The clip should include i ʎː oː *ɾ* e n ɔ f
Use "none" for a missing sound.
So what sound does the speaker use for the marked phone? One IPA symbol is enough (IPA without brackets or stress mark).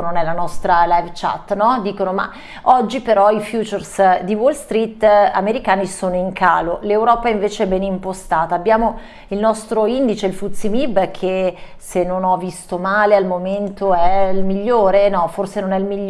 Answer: ɾ